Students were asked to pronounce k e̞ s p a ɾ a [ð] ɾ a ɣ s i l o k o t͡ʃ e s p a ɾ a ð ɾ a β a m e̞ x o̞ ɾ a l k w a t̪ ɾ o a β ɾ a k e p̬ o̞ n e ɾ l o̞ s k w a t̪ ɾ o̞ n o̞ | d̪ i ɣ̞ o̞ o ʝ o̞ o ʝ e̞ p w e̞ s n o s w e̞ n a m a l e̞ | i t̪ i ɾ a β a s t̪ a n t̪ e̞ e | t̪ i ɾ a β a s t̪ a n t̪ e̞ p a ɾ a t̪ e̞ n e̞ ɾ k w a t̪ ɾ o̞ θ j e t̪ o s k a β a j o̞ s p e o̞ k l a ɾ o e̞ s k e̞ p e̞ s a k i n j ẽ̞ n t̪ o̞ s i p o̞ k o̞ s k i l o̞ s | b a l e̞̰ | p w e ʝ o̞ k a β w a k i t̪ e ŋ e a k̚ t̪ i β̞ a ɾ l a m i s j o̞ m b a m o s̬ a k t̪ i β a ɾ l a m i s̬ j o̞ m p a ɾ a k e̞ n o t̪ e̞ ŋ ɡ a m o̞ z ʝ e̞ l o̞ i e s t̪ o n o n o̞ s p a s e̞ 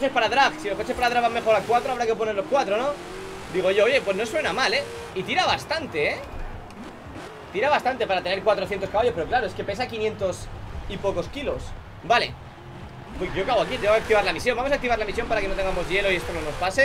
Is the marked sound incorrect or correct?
correct